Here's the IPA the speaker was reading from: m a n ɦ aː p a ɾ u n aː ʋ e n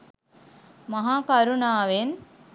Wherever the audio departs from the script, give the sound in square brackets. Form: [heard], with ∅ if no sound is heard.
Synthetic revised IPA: m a [∅] ɦ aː [k] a ɾ u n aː ʋ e n

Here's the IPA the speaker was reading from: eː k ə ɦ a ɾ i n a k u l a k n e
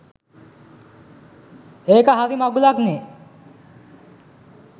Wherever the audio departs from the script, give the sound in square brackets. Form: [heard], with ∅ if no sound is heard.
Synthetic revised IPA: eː k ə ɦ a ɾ i [m] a [ɡ] u l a k n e

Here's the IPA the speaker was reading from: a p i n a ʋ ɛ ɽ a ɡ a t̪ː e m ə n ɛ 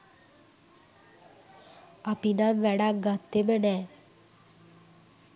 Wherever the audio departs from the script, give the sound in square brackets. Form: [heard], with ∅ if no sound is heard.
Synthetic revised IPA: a p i n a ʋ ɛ ɽ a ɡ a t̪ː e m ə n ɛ

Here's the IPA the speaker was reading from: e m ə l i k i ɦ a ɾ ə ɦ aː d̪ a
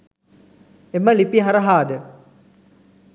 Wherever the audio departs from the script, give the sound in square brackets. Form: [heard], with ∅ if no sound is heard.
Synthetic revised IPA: e m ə l i [p] i ɦ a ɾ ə ɦ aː d̪ [ə]

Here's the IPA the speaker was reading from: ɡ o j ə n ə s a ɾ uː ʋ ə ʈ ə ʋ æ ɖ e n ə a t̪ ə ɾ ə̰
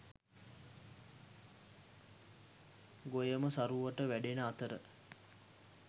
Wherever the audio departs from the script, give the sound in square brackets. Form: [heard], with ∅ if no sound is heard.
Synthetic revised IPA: ɡ o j ə [m] ə s a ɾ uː ʋ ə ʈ ə ʋ æ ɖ e n ə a t̪ ə ɾ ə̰

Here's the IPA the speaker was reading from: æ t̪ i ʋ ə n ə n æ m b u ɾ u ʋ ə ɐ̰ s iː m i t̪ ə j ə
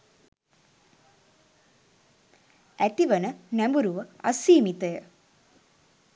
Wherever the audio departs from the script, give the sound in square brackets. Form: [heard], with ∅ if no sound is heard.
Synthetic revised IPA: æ t̪ i ʋ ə n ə n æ m b u ɾ u ʋ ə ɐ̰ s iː m i t̪ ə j ə

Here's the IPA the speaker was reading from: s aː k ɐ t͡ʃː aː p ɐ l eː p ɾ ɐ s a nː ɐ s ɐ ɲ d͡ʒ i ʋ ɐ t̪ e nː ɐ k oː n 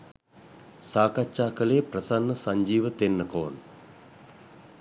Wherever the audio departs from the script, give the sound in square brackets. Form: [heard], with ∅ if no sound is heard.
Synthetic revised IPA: s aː k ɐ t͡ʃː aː [k] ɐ l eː p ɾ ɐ s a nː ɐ s ɐ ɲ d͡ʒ [iː] ʋ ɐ t̪ e nː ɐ k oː n

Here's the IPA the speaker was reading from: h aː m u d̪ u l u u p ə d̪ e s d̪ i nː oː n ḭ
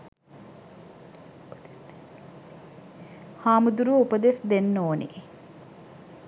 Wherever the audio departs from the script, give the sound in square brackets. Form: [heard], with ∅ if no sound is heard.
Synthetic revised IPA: h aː m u d̪ u [ɾ] u u p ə d̪ e s d̪ [e] nː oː n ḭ

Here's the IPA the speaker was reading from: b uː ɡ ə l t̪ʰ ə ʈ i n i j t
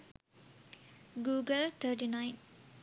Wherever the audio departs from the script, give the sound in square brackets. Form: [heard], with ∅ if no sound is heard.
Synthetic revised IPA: [ɡ] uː ɡ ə l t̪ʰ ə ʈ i n [a] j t

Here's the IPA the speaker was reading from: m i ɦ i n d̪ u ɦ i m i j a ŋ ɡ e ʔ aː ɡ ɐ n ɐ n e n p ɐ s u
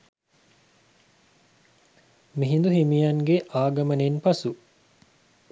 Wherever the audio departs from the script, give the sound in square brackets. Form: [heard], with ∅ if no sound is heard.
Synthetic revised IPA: m i ɦ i n d̪ u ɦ i m i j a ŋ ɡ e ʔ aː ɡ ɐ [m] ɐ n e n p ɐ s u

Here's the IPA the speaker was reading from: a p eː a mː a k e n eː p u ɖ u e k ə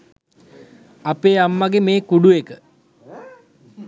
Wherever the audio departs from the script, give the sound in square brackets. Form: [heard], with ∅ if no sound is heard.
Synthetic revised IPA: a p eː a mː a [ɡ] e [m] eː [k] u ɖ u e k ə

